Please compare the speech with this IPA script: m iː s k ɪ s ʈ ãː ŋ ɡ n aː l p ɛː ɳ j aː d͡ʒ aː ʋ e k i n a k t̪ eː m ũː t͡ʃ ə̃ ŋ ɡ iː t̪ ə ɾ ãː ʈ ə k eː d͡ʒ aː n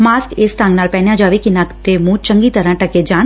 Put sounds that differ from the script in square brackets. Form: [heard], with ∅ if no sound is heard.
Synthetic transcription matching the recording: m [aː] s k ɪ s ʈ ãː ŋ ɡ n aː l p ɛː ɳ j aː d͡ʒ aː ʋ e k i n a k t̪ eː m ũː t͡ʃ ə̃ ŋ ɡ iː t̪ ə ɾ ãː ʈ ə k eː d͡ʒ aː n